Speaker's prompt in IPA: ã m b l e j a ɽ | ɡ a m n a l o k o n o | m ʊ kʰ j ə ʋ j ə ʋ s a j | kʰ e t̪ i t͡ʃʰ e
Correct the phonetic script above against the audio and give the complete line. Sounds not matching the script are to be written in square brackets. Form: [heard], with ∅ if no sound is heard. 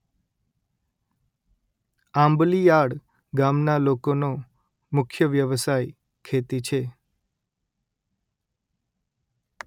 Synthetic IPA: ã m b l [i] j a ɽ | ɡ a m n a l o k o n o | m ʊ kʰ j ə ʋ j ə ʋ s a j | kʰ e t̪ i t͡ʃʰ e